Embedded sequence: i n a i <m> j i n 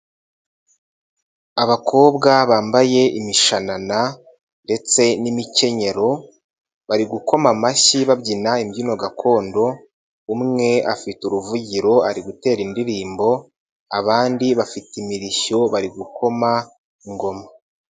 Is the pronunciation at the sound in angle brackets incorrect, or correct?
correct